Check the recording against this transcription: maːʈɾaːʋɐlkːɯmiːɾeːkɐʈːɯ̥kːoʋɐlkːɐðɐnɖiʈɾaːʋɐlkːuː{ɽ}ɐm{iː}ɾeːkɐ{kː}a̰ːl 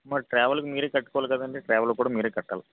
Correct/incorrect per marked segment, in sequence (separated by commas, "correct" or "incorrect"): correct, correct, incorrect